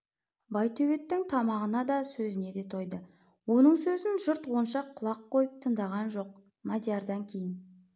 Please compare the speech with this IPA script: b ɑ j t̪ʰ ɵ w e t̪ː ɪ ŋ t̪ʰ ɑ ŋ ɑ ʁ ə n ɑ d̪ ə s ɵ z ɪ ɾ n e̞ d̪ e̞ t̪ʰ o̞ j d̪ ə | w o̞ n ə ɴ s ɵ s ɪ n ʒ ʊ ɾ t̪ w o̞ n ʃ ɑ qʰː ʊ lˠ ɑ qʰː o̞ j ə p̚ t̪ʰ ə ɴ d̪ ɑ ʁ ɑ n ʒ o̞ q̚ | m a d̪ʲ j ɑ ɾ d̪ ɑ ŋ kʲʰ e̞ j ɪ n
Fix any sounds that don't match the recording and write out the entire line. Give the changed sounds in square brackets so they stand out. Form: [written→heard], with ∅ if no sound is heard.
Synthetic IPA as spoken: b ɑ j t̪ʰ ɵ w e t̪ː ɪ ŋ t̪ʰ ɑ [ŋ→m] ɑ ʁ ə n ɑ d̪ [ə→ɑ] s ɵ z ɪ [ɾ→∅] n e̞ d̪ e̞ t̪ʰ o̞ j d̪ ə | w o̞ n ə ɴ s ɵ [s→z] ɪ n ʒ ʊ ɾ t̪ w o̞ n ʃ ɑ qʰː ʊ lˠ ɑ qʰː o̞ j ə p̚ t̪ʰ ə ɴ d̪ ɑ ʁ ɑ n ʒ o̞ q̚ | m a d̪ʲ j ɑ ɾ d̪ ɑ ŋ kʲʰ e̞ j ɪ n